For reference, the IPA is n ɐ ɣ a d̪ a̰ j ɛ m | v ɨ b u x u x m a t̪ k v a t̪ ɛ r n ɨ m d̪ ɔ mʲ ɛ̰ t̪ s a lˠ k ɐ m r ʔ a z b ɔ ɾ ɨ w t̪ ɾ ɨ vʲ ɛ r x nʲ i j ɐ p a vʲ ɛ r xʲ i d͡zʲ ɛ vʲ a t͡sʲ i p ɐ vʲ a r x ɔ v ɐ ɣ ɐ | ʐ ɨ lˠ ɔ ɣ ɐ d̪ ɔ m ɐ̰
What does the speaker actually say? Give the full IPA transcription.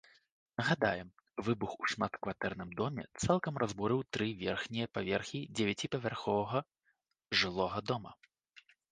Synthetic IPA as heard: n ɐ ɣ a d̪ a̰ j ɛ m | v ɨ b u x u ʂ m a t̪ k v a t̪ ɛ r n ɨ m d̪ ɔ mʲ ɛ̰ t̪ s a lˠ k ɐ m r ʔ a z b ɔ ɾ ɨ w t̪ ɾ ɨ vʲ ɛ r x nʲ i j ɐ p a vʲ ɛ r xʲ i d͡zʲ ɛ vʲ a t͡sʲ i p ɐ vʲ a r x ɔ v ɐ ɣ ɐ | ʐ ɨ lˠ ɔ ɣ ɐ d̪ ɔ m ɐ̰